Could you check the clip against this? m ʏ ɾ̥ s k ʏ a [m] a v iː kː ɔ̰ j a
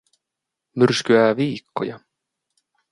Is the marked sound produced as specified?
no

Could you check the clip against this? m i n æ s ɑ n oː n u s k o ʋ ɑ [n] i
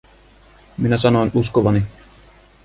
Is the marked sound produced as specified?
yes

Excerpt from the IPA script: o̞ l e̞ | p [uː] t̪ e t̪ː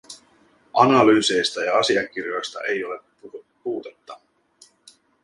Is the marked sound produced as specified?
yes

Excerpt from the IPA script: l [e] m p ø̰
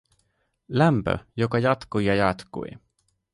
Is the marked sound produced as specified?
no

